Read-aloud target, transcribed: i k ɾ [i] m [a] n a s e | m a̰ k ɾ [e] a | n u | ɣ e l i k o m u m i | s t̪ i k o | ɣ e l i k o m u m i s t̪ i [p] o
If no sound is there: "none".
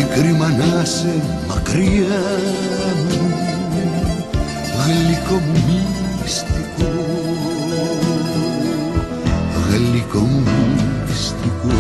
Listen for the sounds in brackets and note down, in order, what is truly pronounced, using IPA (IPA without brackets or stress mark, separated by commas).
i, a, i, k